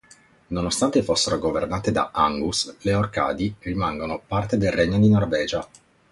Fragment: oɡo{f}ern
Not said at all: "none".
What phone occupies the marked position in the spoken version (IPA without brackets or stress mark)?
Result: v